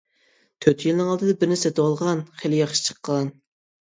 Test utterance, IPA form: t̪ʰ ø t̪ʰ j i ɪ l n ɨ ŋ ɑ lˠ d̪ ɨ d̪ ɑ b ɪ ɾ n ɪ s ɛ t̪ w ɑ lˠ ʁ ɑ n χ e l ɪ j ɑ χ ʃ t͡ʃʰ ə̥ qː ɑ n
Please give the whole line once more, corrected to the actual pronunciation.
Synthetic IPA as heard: t̪ʰ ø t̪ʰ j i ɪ l n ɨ ŋ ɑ lˠ d̪ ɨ d̪ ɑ b ɪ ɾ n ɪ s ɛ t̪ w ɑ lˠ ʁ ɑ n χ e l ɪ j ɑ χ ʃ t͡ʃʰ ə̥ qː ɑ n